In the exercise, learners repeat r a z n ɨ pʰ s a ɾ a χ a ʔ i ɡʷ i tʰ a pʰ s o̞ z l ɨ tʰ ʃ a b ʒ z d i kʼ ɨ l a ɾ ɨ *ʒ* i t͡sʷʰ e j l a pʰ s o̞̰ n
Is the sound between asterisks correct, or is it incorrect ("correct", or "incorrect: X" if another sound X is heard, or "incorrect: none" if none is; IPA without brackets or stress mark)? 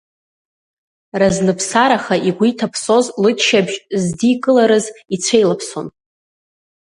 incorrect: z